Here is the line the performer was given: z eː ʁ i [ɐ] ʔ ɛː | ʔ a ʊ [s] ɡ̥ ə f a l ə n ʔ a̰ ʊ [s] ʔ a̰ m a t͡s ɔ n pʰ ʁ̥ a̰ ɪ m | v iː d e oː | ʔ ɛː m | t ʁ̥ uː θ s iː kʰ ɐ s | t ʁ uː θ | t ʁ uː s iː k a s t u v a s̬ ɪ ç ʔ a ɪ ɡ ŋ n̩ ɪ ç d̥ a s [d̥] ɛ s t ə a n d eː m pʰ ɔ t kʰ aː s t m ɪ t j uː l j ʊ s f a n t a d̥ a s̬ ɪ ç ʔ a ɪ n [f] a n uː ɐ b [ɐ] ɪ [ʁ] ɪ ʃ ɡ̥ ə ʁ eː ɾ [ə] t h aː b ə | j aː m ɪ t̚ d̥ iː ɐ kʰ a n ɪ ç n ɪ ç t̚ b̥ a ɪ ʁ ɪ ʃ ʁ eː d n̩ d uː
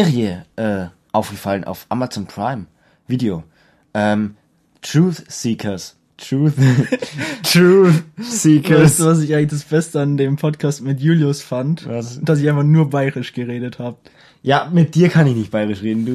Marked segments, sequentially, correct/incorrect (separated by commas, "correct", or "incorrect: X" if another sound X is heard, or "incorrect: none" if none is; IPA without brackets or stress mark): incorrect: ə, incorrect: f, incorrect: f, incorrect: b̥, correct, incorrect: a, correct, correct